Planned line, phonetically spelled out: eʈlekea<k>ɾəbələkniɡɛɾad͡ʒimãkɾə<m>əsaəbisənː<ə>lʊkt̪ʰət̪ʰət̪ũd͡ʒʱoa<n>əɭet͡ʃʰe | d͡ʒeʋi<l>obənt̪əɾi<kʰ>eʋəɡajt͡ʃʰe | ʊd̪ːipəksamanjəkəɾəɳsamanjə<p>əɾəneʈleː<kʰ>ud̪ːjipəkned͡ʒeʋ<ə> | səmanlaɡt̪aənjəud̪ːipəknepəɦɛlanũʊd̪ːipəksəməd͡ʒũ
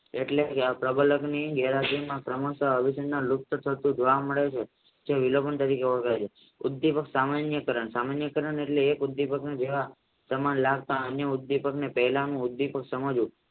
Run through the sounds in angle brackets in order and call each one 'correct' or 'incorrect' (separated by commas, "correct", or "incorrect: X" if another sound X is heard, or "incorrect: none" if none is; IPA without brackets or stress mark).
incorrect: p, correct, incorrect: a, incorrect: m, correct, incorrect: k, incorrect: k, incorrect: k, incorrect: a